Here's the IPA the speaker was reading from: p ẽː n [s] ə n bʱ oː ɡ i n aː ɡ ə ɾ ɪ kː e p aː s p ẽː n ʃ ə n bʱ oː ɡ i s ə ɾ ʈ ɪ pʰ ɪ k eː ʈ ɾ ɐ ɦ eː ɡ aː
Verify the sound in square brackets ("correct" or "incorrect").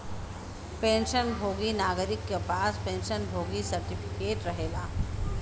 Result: incorrect